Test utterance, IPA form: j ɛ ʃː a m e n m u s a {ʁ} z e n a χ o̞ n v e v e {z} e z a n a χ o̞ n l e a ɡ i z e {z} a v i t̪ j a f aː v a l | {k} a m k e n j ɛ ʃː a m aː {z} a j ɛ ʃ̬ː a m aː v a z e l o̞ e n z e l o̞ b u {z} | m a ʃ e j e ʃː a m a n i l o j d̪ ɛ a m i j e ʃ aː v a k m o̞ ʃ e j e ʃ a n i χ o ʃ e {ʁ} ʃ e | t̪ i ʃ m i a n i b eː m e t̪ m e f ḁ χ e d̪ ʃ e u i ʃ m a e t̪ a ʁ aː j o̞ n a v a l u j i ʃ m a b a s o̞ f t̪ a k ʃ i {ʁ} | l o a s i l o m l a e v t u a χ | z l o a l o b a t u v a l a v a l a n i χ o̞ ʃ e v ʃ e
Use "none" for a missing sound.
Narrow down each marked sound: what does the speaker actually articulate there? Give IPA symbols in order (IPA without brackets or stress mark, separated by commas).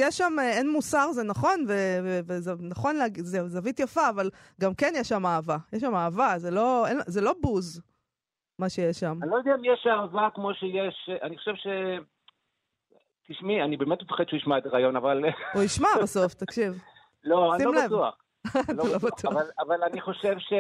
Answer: ʁ, v, z, ɡ, v, z, v, v